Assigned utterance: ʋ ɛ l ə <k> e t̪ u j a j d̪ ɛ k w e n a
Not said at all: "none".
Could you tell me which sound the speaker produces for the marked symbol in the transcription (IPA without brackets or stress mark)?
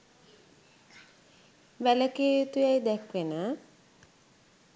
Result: k